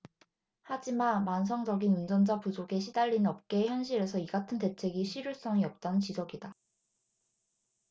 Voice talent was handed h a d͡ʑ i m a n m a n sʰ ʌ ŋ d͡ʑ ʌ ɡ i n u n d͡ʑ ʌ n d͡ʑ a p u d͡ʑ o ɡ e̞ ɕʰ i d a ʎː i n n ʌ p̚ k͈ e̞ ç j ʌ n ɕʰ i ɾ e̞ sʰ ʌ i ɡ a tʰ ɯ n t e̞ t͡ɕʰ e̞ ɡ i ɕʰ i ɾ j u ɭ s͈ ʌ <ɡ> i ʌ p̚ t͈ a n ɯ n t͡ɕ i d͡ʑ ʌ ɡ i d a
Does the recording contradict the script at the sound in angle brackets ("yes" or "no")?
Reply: yes